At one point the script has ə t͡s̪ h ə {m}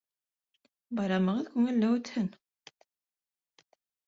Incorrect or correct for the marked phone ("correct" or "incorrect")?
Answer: incorrect